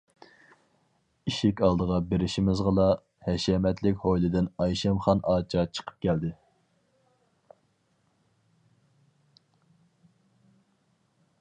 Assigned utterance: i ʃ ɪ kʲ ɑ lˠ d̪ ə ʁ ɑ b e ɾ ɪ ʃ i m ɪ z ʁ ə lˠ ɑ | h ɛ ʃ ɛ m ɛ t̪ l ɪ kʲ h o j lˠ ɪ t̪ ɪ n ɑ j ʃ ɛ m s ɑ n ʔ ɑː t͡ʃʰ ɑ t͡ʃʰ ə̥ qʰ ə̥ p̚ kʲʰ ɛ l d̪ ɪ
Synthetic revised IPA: i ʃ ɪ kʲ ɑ lˠ d̪ ə ʁ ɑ b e ɾ ɪ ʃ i m ɪ z ʁ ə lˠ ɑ | h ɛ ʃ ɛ m ɛ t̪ l ɪ kʲ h o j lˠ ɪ d̪ ɪ n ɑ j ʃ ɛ m χ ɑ n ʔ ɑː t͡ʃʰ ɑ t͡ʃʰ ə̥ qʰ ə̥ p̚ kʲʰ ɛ l d̪ ɪ